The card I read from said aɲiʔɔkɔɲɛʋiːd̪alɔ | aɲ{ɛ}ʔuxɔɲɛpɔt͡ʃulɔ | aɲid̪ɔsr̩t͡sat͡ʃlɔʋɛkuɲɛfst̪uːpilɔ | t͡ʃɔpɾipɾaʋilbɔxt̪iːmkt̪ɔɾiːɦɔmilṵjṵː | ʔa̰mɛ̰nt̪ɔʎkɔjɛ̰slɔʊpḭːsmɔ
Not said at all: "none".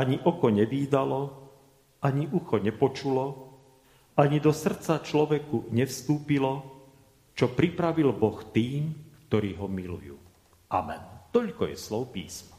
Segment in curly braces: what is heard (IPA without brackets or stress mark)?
i